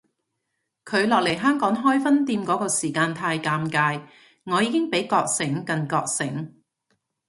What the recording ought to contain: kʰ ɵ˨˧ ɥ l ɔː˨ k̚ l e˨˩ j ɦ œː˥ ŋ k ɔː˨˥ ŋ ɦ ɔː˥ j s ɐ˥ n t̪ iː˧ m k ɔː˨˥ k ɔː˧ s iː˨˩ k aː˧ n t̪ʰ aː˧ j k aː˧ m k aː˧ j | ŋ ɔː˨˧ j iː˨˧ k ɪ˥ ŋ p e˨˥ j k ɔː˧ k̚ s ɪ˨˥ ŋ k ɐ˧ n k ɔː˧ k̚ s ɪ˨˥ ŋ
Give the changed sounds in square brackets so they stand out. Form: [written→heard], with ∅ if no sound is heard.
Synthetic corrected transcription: kʰ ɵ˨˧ ɥ l ɔː˨ k̚ l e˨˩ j ɦ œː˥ ŋ k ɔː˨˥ ŋ ɦ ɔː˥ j [s→f] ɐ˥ n t̪ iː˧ m k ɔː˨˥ k ɔː˧ s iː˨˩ k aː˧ n t̪ʰ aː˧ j k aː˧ m k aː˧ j | ŋ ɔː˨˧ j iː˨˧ k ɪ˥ ŋ p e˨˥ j k ɔː˧ k̚ s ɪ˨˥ ŋ k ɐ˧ n k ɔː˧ k̚ s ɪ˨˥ ŋ

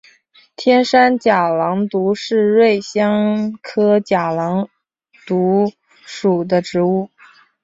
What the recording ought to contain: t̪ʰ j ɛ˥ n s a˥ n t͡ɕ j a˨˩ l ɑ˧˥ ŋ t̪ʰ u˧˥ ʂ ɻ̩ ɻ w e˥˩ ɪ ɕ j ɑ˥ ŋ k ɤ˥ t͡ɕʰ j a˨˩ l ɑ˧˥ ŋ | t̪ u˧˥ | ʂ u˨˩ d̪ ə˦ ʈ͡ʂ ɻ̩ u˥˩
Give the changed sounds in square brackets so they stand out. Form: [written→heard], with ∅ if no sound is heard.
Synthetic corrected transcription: t̪ʰ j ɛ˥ n [s→ʂ] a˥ n t͡ɕ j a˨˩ l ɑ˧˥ ŋ [t̪ʰ→t̪] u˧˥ ʂ ɻ̩ ɻ w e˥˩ ɪ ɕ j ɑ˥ ŋ [k→kʰ] ɤ˥ [t͡ɕʰ→t͡ɕ] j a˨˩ l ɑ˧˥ ŋ | t̪ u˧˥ | ʂ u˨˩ d̪ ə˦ ʈ͡ʂ ɻ̩ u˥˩

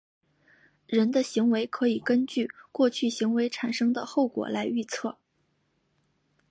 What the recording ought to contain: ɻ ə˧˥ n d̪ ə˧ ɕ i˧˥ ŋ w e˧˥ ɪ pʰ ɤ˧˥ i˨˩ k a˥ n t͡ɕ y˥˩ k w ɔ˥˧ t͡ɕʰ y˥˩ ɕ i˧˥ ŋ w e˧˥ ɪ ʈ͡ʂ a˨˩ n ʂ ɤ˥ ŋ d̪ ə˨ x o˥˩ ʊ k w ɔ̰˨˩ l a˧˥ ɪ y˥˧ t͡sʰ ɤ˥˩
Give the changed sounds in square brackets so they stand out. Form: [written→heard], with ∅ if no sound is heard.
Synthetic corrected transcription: ɻ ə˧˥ n d̪ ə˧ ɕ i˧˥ ŋ w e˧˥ ɪ [pʰ→kʰ] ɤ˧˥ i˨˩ k [a˥→ə˥] n t͡ɕ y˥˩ k w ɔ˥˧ t͡ɕʰ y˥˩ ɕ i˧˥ ŋ w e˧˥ ɪ [ʈ͡ʂ→ʈ͡ʂʰ] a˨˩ n ʂ ɤ˥ ŋ d̪ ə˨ x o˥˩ ʊ k w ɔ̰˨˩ l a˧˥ ɪ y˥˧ t͡sʰ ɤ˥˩

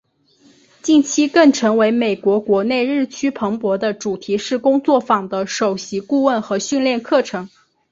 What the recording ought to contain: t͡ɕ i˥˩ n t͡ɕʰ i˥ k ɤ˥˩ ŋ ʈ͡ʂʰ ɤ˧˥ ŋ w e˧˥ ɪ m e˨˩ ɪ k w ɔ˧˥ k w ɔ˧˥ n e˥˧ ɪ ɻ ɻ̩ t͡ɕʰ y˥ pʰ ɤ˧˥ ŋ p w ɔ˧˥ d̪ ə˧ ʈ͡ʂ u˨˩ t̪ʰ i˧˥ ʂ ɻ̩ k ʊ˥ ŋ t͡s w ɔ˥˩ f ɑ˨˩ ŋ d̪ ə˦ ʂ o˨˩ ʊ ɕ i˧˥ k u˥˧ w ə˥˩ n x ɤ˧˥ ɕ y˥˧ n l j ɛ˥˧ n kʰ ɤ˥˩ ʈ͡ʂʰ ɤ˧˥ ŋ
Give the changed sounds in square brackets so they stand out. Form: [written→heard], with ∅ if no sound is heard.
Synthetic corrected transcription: t͡ɕ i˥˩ n t͡ɕʰ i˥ k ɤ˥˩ ŋ ʈ͡ʂʰ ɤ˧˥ ŋ w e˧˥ ɪ m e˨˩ ɪ k w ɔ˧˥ k w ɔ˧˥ n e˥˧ ɪ ɻ ɻ̩ t͡ɕʰ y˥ pʰ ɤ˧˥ ŋ p w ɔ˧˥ d̪ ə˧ ʈ͡ʂ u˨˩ t̪ʰ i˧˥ ʂ ɻ̩ k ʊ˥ ŋ t͡s w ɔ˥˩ f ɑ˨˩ ŋ d̪ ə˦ ʂ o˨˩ ʊ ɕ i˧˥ k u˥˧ w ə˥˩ n x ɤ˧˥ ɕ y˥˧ n l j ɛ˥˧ n kʰ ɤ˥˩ ʈ͡ʂʰ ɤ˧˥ ŋ

